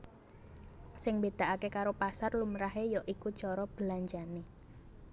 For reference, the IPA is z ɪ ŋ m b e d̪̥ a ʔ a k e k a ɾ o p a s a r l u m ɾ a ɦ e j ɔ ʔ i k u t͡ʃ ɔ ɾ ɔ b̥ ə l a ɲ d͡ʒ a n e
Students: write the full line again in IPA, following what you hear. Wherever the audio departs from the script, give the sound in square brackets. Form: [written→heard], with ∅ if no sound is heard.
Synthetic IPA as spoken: [z→s] ɪ ŋ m b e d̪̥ a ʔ a k e k a ɾ o p a s a r l u m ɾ a ɦ e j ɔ ʔ i k u t͡ʃ ɔ ɾ ɔ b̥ ə l a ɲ d͡ʒ a n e